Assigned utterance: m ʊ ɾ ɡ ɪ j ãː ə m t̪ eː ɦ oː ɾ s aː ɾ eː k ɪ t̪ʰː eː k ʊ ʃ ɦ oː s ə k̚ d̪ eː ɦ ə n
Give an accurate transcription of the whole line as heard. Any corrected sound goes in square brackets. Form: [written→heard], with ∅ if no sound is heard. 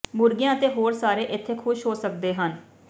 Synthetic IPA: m ʊ ɾ ɡ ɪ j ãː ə [m→∅] t̪ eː ɦ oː ɾ s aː ɾ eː [k→ʔ] ɪ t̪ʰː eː [k→kʰ] ʊ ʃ ɦ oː s ə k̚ d̪ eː ɦ ə n